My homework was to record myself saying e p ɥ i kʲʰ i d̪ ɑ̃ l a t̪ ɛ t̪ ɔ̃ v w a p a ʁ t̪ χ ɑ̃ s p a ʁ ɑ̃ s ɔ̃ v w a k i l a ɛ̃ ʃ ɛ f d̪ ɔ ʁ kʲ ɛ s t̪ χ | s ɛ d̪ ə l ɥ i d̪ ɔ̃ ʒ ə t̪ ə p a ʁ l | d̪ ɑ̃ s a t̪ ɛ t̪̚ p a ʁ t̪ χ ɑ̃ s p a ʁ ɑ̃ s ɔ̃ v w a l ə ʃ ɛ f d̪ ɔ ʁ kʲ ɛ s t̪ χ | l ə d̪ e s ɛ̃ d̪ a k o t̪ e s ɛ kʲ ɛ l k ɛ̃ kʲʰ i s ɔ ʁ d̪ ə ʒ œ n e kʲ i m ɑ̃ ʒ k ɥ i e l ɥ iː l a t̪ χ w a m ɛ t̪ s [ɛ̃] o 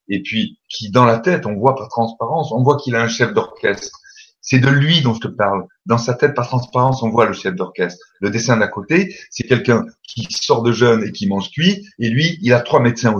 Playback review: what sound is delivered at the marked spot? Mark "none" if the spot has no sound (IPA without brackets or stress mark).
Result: ɛ̃